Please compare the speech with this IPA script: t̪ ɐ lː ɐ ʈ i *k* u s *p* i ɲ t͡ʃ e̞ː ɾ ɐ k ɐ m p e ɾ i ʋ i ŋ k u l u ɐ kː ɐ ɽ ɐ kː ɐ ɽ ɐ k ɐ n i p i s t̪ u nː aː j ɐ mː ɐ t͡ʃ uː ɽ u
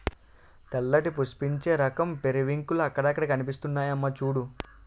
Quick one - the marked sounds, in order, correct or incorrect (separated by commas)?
incorrect, correct